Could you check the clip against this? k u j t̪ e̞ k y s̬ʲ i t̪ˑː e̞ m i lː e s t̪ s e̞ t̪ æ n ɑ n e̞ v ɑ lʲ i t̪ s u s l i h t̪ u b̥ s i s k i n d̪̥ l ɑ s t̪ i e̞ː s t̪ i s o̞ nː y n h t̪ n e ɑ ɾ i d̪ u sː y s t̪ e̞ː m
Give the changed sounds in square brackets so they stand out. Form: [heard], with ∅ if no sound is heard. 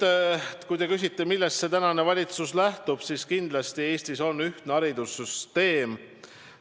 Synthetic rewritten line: k u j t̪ e̞ k y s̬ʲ i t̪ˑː e̞ m i lː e s t̪ s e̞ t̪ æ n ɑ n e̞ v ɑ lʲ i t̪ s u s l [æ] h t̪ u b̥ s i s k i n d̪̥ l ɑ s t̪ i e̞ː s t̪ i s o̞ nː y [∅] h t̪ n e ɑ ɾ i d̪ u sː y s t̪ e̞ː m